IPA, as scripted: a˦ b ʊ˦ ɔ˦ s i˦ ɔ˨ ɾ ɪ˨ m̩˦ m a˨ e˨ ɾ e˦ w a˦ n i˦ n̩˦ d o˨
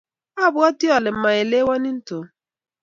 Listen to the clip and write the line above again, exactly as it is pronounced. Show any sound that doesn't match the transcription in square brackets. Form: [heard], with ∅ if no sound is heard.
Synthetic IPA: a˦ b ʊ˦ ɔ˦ [t] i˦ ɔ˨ [l] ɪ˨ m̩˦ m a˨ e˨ [l] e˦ w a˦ n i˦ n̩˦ [t] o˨